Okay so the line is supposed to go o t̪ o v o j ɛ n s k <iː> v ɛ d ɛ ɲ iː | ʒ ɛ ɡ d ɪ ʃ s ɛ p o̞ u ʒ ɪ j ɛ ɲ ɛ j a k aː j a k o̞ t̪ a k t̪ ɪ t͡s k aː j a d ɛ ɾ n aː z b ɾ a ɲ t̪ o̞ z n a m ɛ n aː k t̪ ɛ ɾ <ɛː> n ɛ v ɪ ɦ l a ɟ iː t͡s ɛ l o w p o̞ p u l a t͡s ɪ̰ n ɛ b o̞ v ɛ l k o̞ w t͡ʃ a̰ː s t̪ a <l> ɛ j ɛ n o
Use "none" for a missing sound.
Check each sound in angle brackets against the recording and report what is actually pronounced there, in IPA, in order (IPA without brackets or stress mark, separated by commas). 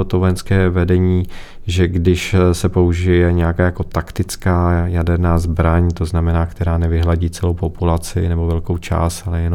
ɛː, aː, l